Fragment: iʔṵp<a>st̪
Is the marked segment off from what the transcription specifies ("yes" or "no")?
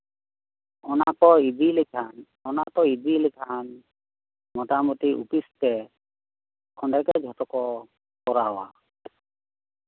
yes